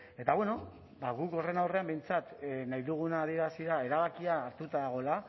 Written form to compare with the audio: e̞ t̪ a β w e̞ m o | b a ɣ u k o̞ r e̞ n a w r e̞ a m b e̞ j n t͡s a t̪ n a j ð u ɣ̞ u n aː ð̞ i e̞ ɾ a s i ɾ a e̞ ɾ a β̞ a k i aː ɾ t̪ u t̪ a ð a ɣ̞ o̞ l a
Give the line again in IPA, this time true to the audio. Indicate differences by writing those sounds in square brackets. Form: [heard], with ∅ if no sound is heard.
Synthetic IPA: e̞ t̪ a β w e̞ [n] o | b a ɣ u k o̞ r e̞ n a w r e̞ a m b e̞ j n t͡s a t̪ n a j ð u ɣ̞ u n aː ð̞ i e̞ ɾ a s i ɾ a e̞ ɾ a β̞ a k i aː ɾ t̪ u t̪ a ð a ɣ̞ o̞ l a